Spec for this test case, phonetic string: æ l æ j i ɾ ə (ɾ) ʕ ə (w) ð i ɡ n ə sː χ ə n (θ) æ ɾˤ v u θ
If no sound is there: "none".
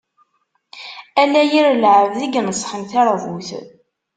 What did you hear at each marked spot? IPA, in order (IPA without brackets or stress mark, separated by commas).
l, v, θ